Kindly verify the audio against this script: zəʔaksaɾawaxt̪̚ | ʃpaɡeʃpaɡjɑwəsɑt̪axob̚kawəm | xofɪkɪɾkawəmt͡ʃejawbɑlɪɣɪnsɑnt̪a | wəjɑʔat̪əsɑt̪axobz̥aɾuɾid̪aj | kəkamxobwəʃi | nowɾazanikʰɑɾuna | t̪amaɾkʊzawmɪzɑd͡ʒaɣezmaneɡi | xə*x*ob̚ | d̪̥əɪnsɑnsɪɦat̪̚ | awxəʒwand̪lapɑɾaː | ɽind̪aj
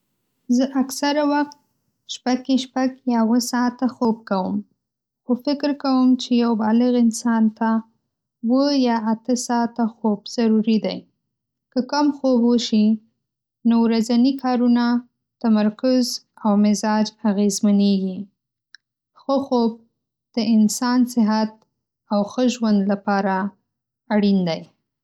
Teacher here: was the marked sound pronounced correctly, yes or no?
yes